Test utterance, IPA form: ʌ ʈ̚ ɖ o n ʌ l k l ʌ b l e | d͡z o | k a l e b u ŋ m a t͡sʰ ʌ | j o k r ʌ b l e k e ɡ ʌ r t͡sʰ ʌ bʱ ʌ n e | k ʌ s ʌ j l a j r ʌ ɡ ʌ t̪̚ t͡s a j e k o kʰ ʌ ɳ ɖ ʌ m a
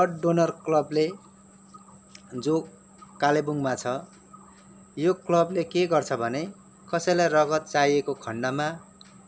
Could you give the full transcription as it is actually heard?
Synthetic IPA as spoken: ʌ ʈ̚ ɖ o n ʌ r k l ʌ b l e | d͡z o | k a l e b u ŋ m a t͡sʰ ʌ | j o k l ʌ b l e k e ɡ ʌ r t͡sʰ ʌ bʱ ʌ n e | k ʌ s ʌ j l a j r ʌ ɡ ʌ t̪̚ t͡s a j e k o kʰ ʌ ɳ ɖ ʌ m a